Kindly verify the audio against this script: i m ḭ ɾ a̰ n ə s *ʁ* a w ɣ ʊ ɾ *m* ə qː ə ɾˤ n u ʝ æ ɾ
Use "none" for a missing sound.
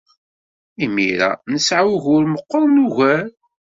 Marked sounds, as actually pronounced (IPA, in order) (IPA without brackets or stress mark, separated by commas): ʕ, m